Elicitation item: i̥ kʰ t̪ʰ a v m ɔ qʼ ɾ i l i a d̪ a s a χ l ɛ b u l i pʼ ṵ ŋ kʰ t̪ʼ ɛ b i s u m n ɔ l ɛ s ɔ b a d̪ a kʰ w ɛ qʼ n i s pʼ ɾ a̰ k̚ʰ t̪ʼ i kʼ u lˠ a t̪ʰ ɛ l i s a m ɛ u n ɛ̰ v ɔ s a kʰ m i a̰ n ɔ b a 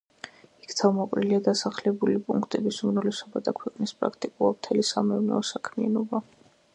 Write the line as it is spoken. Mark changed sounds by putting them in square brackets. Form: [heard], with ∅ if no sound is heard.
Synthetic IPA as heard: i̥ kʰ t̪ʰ a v m ɔ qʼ ɾ i l i a d̪ a s a χ l ɛ b u l i pʼ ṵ ŋ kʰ t̪ʼ ɛ b i s u m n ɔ l ɛ s ɔ b a d̪ a kʰ w ɛ qʼ n i s pʼ ɾ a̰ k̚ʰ t̪ʼ i kʼ u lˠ a t̪ʰ ɛ l i s a m ɛ u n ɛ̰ [∅] ɔ s a kʰ m i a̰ n ɔ b a